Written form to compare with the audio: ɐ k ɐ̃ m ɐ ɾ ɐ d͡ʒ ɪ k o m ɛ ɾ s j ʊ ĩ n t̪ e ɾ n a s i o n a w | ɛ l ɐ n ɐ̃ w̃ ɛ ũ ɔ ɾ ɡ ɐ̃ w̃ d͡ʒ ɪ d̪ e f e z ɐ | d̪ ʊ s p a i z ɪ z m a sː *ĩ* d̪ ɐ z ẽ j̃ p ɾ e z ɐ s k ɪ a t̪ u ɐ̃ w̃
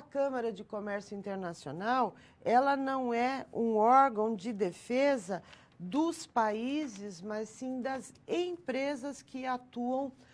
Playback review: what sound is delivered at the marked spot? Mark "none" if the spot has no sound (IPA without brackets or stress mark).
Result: ĩ